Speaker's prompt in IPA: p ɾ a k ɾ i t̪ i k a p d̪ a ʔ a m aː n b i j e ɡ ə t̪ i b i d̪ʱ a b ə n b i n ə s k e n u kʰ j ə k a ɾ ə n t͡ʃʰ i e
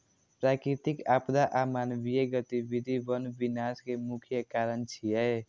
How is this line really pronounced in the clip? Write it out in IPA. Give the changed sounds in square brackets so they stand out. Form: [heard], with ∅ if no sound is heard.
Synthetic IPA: p ɾ a k ɾ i t̪ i k a p d̪ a ʔ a m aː n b i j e ɡ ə t̪ i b i d̪ʱ [i] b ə n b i n [a] s k e [m] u kʰ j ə k a ɾ ə n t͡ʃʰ i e

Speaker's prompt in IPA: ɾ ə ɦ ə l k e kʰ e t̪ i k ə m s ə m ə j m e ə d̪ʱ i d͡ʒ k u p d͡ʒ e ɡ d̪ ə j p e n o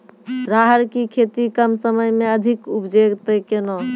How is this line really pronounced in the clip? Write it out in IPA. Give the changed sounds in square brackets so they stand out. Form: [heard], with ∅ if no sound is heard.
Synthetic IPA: ɾ [a] ɦ ə [ɾ] k [i] kʰ e t̪ i k ə m s ə m ə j m e ə d̪ʱ i [∅] k u p d͡ʒ e ɡ [t̪] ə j [k] e n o

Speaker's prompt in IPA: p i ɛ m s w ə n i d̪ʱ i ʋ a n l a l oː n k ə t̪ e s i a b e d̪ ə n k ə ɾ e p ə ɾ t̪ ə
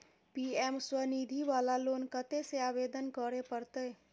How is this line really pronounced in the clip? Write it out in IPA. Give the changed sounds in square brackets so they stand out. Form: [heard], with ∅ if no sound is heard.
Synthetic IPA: p i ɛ m s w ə n i d̪ʱ i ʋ a [∅] l a l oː n k ə t̪ e s [e] a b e d̪ ə n k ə ɾ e p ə ɾ t̪ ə

